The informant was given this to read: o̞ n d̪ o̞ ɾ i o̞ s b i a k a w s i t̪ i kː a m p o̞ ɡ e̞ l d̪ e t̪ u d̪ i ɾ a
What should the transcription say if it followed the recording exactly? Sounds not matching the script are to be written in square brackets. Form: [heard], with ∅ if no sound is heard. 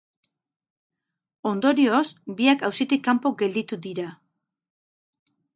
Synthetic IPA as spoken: o̞ n d̪ o̞ ɾ i o̞ s b i a k a w s i t̪ i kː a m p o̞ ɡ e̞ l d̪ [i] t̪ u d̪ i ɾ a